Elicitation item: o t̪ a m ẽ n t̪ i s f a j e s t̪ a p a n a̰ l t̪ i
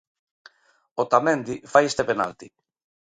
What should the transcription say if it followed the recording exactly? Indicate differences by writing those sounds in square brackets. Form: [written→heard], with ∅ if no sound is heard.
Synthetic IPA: o t̪ a m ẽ n [t̪→d̪] i [s→∅] f a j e s t̪ [a→e] p [a→e] n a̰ l t̪ i